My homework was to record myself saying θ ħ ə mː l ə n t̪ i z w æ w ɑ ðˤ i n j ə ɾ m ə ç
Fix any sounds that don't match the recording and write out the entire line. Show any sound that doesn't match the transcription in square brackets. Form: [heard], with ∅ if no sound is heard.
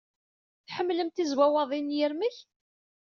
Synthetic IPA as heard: θ ħ ə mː l ə [m] t̪ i z w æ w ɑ ðˤ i n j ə ɾ m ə ç